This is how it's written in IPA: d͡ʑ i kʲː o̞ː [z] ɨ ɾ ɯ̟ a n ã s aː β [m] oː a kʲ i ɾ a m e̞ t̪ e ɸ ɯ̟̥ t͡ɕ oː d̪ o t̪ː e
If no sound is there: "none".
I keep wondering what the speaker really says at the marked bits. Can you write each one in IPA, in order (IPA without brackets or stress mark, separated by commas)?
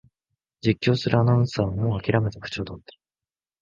s, m